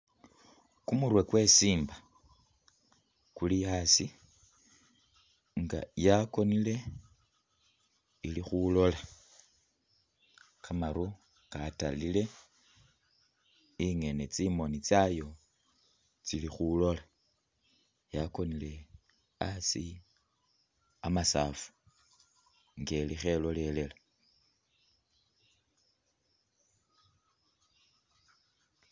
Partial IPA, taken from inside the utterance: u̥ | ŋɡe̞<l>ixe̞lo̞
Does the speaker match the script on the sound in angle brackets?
yes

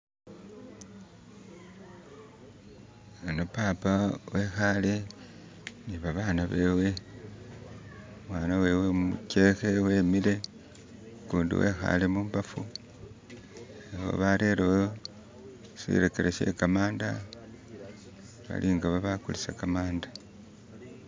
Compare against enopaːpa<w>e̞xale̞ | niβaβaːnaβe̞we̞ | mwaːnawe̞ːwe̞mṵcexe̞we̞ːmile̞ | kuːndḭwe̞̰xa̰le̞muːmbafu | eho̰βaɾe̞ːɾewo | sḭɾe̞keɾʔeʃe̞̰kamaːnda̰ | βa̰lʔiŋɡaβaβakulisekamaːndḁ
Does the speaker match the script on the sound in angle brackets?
yes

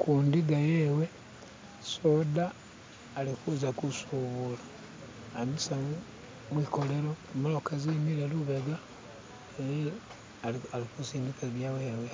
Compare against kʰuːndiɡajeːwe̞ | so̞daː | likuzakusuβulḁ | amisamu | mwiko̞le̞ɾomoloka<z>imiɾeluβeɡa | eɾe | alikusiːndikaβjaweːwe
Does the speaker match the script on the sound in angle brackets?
yes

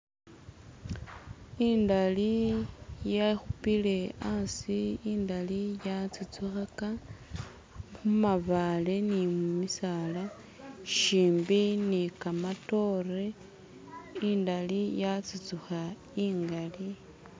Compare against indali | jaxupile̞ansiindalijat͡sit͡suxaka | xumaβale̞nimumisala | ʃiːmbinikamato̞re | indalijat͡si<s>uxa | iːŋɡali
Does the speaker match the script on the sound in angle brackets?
no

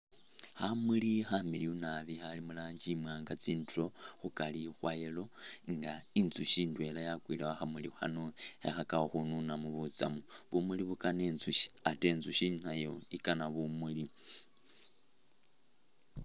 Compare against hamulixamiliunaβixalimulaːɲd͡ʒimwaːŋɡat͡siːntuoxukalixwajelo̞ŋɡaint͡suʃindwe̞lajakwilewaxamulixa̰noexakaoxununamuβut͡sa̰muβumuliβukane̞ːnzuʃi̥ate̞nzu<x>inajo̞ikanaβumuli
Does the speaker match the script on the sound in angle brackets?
no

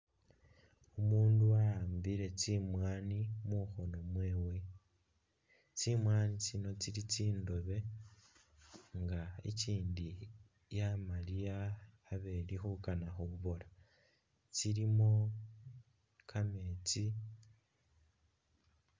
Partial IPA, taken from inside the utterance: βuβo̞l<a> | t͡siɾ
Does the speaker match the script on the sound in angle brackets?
yes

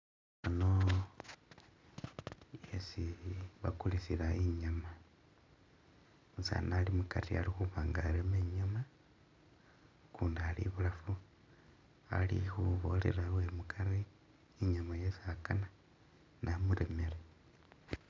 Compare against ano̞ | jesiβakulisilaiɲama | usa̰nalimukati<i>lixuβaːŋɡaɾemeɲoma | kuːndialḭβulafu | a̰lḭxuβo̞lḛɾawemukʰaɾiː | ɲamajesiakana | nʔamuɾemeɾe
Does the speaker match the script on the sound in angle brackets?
no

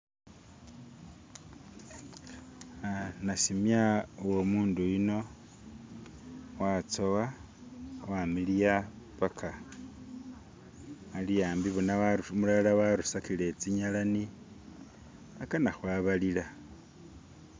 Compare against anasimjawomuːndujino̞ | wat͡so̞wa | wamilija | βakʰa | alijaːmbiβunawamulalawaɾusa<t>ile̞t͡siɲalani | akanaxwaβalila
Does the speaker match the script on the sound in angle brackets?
no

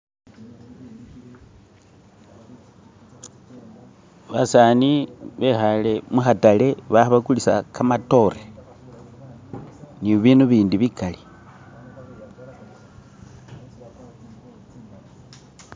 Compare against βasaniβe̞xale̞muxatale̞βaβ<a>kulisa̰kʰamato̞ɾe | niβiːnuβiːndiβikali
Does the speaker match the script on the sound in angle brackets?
yes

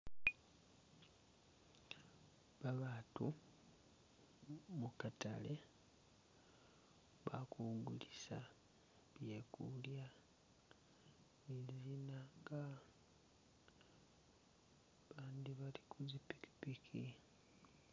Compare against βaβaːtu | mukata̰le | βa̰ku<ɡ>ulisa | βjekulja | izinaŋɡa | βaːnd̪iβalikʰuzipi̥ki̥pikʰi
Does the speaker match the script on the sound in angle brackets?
yes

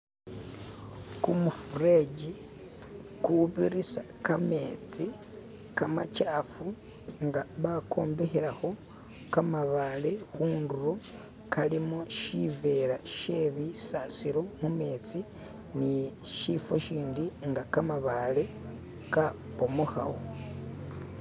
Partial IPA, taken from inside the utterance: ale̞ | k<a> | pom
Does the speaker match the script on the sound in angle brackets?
yes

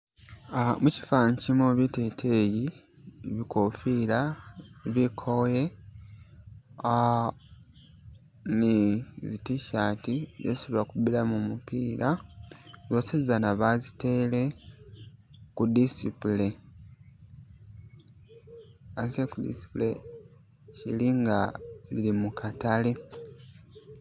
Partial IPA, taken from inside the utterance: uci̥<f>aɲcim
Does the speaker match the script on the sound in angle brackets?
yes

